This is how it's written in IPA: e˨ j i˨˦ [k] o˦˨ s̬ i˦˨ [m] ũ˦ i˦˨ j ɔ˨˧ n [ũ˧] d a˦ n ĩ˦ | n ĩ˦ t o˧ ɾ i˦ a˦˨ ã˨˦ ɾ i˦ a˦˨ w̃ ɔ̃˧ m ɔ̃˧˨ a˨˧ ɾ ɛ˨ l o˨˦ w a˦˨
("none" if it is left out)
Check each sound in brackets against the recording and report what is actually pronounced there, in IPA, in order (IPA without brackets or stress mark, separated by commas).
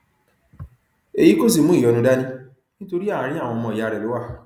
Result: k, m, ũ˧